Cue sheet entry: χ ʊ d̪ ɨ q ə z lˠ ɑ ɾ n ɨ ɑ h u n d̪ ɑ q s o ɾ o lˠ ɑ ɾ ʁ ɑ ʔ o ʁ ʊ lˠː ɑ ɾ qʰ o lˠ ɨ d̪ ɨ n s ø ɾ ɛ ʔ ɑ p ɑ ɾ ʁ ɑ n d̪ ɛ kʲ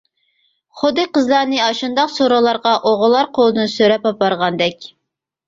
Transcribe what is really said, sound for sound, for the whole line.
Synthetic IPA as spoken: χ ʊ d̪ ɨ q ə z lˠ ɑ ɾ n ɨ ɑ ʃ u n d̪ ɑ q s o ɾ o lˠ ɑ ɾ ʁ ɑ ʔ o ʁ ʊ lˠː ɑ ɾ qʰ o lˠ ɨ d̪ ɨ n s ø ɾ ɛ p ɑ p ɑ ɾ ʁ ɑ n d̪ ɛ kʲ